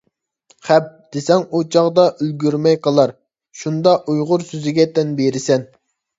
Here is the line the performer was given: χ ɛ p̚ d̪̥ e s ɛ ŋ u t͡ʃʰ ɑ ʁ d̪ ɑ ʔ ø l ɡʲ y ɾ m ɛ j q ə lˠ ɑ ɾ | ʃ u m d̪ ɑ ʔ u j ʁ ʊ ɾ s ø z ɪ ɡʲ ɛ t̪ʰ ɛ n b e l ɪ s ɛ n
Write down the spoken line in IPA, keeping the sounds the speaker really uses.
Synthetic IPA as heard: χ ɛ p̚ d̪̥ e s ɛ ŋ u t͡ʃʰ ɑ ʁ d̪ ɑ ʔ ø l ɡʲ y ɾ m ɛ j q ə lˠ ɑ ɾ | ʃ u n d̪ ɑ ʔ u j ʁ ʊ ɾ s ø z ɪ ɡʲ ɛ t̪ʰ ɛ n b e ɾ ɪ s ɛ n